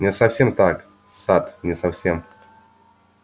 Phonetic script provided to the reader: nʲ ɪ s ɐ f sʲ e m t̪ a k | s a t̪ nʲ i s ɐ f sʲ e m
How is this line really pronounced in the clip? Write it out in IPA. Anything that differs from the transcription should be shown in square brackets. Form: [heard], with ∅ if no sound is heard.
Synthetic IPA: nʲ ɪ s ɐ f sʲ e m t̪ a k | s a t̪ nʲ [ɪ] s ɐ f sʲ e m

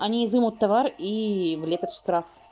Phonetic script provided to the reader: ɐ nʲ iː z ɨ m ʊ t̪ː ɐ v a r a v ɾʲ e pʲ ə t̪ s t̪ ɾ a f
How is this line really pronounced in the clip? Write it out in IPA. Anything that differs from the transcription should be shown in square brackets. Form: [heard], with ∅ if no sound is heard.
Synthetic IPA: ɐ nʲ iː z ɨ m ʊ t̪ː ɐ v a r [i] v [lʲ] e pʲ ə t̪ [ʂ] t̪ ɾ a f

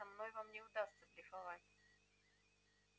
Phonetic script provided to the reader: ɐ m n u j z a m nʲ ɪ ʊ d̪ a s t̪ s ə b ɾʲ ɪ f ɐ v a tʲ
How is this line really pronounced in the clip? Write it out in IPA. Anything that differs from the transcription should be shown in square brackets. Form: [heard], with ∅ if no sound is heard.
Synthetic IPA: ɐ m n [o] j [v] a m nʲ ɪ ʊ d̪ a s t̪ s ə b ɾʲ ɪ f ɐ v a tʲ

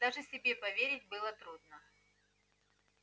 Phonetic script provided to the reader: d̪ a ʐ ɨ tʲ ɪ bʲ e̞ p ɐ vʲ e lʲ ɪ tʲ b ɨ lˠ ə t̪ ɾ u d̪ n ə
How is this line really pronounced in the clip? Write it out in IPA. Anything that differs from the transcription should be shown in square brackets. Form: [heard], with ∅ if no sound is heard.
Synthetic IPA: d̪ a ʐ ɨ [sʲ] ɪ bʲ e̞ p ɐ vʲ e [ɾʲ] ɪ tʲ b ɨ lˠ ə t̪ ɾ u d̪ n ə

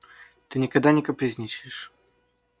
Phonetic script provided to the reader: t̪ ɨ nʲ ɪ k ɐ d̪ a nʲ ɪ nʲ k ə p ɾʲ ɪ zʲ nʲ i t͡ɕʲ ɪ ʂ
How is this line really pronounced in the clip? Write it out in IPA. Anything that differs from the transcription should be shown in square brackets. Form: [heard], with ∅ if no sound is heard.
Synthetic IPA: t̪ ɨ nʲ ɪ k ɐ d̪ a nʲ ɪ [∅] k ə p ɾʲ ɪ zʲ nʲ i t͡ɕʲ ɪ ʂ

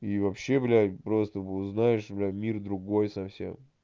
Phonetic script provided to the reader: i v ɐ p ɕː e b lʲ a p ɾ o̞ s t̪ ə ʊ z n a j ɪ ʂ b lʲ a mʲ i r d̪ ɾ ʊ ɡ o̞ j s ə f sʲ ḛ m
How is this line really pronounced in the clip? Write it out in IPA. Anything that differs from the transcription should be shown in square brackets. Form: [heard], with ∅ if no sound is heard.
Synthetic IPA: i v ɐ p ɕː e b lʲ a p ɾ o̞ s t̪ ə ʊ z n a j ɪ ʂ b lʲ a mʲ i r d̪ ɾ ʊ ɡ o̞ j s [ɐ] f sʲ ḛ m

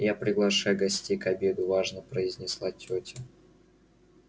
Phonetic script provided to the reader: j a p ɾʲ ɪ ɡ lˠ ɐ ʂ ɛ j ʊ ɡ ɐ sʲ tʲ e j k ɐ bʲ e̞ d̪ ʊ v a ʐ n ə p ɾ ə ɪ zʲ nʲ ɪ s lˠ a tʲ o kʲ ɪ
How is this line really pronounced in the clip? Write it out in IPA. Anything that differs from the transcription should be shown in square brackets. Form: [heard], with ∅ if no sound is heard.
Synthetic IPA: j a p ɾʲ ɪ ɡ lˠ ɐ ʂ [a] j ʊ ɡ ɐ sʲ tʲ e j k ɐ bʲ e̞ d̪ ʊ v a ʐ n ə p ɾ ə ɪ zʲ nʲ ɪ s lˠ a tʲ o [tʲ] ɪ

